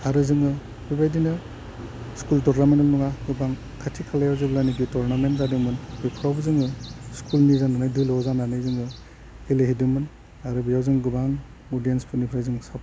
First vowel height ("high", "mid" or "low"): low